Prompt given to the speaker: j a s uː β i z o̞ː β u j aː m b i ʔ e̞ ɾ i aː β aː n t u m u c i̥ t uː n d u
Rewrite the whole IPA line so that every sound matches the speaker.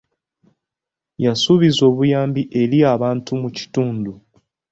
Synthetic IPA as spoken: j a s u β i z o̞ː β u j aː m b i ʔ e̞ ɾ i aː β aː n t u m u c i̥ t uː n d u